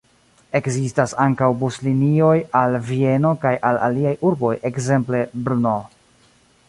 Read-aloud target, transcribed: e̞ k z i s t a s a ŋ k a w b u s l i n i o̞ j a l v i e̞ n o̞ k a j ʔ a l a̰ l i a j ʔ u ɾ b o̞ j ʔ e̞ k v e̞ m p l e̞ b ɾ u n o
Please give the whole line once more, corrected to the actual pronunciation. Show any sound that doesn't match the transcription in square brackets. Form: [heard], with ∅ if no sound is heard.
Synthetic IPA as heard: e̞ k z i s t a s a ŋ k a w b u s l i n i o̞ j a l v i e̞ n o̞ k a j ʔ a l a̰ l i a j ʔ u ɾ b o̞ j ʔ e̞ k [z] e̞ m p l e̞ b ɾ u n o